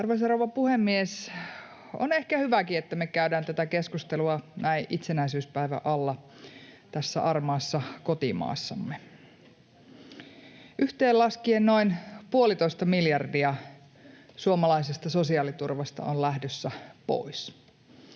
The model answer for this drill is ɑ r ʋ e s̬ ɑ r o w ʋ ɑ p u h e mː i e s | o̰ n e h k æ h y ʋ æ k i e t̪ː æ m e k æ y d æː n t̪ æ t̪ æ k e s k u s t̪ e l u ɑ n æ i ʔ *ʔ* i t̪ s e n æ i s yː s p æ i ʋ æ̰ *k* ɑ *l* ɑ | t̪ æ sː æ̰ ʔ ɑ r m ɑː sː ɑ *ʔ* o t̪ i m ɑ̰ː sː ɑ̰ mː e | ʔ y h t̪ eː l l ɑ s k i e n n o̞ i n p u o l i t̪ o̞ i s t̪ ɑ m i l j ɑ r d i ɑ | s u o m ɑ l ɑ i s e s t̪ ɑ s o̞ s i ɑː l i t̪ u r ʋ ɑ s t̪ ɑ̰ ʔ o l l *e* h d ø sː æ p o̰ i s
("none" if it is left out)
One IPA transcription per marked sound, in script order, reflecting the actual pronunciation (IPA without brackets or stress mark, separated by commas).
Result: ʔ, ʔ, lː, k, æ